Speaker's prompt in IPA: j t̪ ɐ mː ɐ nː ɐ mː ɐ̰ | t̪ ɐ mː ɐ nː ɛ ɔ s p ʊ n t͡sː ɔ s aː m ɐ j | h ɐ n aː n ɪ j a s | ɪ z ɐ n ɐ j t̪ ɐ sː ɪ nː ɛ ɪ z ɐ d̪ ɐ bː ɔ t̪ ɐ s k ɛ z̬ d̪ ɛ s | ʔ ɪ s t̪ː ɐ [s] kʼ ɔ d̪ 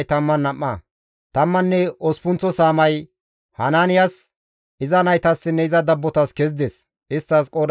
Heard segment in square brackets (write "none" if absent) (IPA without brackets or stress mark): s